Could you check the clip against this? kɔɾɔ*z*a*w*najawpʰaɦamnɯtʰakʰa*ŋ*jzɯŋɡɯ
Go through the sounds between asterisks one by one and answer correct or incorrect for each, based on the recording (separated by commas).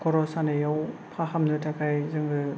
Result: incorrect, incorrect, incorrect